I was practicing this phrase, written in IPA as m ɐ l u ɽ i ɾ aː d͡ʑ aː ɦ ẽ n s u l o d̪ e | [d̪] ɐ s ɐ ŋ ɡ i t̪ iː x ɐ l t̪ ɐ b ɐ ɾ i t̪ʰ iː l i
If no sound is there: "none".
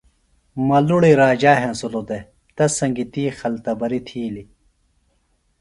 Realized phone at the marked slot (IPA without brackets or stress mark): t̪